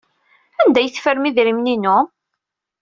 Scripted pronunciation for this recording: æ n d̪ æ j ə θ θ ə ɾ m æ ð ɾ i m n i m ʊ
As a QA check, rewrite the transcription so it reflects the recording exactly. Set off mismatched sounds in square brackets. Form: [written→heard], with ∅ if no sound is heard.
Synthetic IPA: æ n d̪ æ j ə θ [θ→f] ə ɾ m [æ→i] ð ɾ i m n i [m→n] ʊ